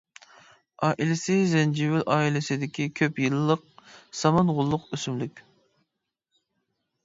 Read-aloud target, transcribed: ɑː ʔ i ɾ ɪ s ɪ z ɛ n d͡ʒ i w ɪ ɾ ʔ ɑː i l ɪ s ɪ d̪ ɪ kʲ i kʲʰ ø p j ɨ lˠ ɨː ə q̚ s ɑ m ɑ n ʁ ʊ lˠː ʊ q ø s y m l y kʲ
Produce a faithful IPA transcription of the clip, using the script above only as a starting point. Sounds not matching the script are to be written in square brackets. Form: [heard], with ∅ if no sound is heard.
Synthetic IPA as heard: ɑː ʔ i [l] ɪ s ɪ z ɛ n d͡ʒ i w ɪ [l] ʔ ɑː i l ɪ s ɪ d̪ ɪ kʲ i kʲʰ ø p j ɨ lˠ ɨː ə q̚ s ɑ m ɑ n ʁ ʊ lˠː ʊ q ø s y m l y kʲ